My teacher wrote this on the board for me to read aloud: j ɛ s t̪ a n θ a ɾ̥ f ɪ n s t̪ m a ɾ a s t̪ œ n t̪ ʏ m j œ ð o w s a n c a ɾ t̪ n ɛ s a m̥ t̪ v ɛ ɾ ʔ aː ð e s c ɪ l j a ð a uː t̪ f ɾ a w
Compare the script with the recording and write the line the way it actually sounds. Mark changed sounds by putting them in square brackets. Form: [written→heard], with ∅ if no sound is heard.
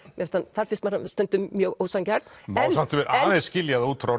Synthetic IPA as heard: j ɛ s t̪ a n θ a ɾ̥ f ɪ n s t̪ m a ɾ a s t̪ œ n t̪ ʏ m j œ [ð→ɣ] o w s a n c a ɾ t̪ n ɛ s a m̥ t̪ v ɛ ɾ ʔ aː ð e s c ɪ l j a ð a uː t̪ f ɾ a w

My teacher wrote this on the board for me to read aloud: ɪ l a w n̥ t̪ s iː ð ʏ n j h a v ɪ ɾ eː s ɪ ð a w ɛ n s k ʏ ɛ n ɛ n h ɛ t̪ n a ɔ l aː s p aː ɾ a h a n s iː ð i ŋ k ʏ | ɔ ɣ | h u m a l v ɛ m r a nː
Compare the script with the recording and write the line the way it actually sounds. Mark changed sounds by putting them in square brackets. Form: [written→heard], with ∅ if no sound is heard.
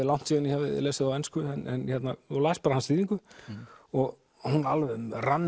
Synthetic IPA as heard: ɪ l a w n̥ t̪ s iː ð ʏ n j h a v ɪ [ɾ→l] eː s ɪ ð a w ɛ n s k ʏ ɛ n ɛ n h ɛ t̪ n a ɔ l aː s p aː ɾ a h a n s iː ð i ŋ k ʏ | ɔ ɣ | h u [m→n] a l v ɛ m r a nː

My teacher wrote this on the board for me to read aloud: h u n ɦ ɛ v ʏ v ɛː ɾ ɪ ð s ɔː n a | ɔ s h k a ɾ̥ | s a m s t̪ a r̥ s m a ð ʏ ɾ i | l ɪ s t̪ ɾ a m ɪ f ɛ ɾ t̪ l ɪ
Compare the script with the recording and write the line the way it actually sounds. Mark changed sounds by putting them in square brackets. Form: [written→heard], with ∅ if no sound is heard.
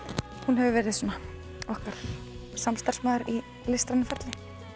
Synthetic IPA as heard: h u n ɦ ɛ v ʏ v ɛː ɾ ɪ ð s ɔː n a | ɔ [s→∅] h k a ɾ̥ | s a m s t̪ a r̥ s m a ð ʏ ɾ i | l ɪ s t̪ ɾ a [m→n] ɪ f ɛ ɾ t̪ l ɪ

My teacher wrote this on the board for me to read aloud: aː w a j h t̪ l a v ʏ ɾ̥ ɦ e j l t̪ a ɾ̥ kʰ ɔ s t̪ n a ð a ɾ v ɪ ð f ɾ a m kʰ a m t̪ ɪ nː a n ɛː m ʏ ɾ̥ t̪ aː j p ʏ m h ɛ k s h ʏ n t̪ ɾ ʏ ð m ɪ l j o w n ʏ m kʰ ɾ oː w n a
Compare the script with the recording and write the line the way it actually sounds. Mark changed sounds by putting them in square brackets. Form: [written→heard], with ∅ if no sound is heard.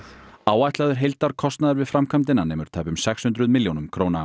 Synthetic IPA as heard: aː w a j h t̪ l a [v→ð] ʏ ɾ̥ ɦ e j l t̪ a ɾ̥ kʰ ɔ s t̪ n a ð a ɾ v ɪ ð f ɾ a m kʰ a m t̪ ɪ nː a n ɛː m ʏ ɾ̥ [t̪→t̪ʰ] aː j p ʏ m [h→s] ɛ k s h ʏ n t̪ ɾ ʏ ð m ɪ l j o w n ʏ m kʰ ɾ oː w n a

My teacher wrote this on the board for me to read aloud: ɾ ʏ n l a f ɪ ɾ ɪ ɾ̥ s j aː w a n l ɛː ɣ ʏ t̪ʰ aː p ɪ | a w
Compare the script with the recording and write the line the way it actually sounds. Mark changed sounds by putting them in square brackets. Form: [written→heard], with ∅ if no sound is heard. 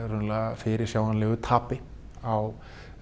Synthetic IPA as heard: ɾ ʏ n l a f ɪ ɾ ɪ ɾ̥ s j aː w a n l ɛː ɣ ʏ t̪ʰ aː p ɪ | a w

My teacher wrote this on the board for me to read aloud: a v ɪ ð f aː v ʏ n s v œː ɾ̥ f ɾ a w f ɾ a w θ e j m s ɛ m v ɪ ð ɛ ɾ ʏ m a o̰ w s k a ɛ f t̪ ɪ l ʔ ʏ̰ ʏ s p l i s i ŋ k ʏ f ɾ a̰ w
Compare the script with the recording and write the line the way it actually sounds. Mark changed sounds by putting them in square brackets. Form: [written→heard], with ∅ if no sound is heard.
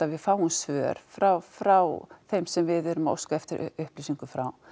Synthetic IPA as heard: a v ɪ ð f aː [v→w] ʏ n s v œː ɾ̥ f ɾ a w f ɾ a w θ e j m s ɛ m v ɪ ð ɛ ɾ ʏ m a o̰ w s k a ɛ f t̪ ɪ [l→ɾ] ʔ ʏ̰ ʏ [s→h] p l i s i ŋ k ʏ f ɾ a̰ w

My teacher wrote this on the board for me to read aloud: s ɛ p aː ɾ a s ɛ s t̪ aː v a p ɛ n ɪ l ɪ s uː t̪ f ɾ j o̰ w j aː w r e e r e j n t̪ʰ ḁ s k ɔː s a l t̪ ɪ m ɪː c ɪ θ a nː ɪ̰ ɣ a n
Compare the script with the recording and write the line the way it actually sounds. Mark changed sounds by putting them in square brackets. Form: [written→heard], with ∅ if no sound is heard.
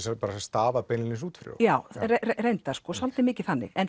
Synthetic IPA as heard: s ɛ p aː ɾ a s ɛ s t̪ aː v a p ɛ n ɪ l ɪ s uː t̪ f ɾ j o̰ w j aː w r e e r e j n [t̪ʰ→t̪] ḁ s k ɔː s a l t̪ ɪ m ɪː c ɪ θ a nː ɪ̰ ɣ [a→ɛ] n

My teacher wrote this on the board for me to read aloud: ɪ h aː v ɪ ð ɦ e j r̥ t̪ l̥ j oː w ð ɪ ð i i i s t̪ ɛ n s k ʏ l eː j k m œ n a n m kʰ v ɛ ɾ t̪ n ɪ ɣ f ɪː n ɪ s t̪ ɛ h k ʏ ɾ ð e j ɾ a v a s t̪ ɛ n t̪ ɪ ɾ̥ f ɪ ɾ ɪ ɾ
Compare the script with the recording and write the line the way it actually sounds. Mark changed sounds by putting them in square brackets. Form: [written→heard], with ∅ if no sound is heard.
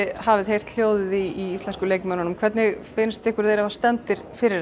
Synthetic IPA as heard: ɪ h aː v ɪ ð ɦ e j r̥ t̪ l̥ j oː w ð ɪ ð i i i s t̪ ɛ n s k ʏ l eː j k m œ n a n m kʰ v ɛ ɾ t̪ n ɪ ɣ f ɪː n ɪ s t̪ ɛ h k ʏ ɾ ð e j ɾ a v a s t̪ ɛ n t̪ ɪ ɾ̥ f ɪ ɾ ɪ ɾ

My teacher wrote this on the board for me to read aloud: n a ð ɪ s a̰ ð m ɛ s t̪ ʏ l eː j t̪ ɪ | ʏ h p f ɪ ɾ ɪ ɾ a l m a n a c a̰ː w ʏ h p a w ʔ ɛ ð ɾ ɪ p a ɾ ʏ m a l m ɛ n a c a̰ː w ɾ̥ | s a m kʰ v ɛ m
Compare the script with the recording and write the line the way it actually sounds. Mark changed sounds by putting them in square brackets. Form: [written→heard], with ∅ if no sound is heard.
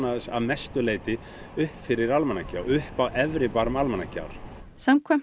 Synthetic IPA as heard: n a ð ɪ s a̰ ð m ɛ s t̪ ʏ l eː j t̪ ɪ | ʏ h p f ɪ ɾ ɪ ɾ a l m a n a c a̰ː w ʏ h p a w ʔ ɛ [ð→v] ɾ ɪ p a ɾ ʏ m a l m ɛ n a c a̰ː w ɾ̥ | s a m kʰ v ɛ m

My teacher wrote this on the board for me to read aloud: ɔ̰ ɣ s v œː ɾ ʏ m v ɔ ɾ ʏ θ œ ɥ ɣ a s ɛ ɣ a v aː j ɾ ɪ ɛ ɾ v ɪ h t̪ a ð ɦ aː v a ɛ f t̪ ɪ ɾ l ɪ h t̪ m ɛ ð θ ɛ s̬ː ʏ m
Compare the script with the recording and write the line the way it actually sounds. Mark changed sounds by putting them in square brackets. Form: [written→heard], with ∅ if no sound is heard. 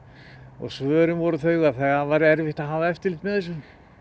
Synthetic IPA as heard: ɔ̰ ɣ s v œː ɾ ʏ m v ɔ ɾ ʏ θ œ ɥ ɣ a [s→θ] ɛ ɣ a v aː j ɾ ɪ ɛ ɾ v ɪ h t̪ a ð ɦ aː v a ɛ f t̪ ɪ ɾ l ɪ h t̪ m ɛ ð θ ɛ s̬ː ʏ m

